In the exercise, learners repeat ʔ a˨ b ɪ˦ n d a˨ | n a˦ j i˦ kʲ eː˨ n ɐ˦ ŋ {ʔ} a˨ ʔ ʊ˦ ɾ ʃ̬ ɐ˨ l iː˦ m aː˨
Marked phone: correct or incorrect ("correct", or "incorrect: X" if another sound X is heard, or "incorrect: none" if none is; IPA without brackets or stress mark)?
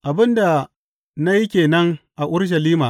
correct